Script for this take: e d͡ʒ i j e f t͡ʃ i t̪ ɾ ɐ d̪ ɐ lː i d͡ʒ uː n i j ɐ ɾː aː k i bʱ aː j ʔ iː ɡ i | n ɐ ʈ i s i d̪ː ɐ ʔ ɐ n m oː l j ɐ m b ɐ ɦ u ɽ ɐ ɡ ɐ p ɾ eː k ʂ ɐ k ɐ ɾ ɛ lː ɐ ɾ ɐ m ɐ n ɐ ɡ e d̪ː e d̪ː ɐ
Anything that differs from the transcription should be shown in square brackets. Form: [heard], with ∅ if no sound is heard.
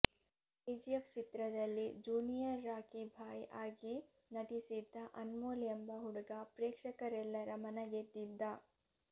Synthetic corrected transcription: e d͡ʒ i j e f t͡ʃ i t̪ ɾ ɐ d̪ ɐ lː i d͡ʒ uː n i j ɐ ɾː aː k i bʱ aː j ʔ [aː] ɡ i | n ɐ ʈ i s i d̪ː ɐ ʔ ɐ n m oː l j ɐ m b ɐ ɦ u ɽ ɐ ɡ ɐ p ɾ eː k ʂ ɐ k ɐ ɾ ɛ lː ɐ ɾ ɐ m ɐ n ɐ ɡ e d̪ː [i] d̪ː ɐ